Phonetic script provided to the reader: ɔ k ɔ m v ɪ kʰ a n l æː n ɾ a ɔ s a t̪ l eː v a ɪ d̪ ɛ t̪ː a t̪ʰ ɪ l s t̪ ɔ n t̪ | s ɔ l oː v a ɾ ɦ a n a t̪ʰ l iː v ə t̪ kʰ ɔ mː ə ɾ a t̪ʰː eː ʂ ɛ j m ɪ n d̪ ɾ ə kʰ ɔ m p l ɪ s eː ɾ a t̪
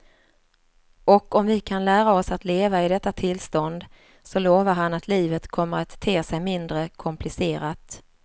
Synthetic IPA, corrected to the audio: ɔ k ɔ m v ɪ kʰ a n l æː ɾ a ɔ s a t̪ l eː v a ɪ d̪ ɛ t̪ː a t̪ʰ ɪ l s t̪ ɔ n d̪ | s ɔ l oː v a ɾ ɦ a n a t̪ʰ l iː v ə t̪ kʰ ɔ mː ə ɾ a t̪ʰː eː s ɛ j m ɪ n d̪ ɾ ə kʰ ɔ m p l ɪ s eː ɾ a t̪